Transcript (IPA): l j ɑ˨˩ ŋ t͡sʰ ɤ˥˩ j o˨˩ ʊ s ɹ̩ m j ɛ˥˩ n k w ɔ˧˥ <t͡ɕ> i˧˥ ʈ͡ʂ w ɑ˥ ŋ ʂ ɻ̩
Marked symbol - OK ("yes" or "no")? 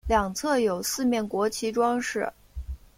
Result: no